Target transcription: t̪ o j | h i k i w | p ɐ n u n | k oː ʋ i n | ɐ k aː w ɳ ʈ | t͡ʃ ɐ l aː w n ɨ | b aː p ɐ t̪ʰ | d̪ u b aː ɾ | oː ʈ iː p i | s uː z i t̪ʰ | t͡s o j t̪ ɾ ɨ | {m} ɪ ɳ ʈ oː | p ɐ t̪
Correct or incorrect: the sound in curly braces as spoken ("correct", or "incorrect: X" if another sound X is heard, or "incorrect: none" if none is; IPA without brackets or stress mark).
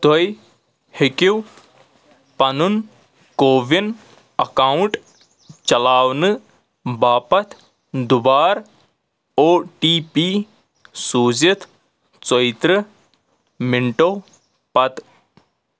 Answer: correct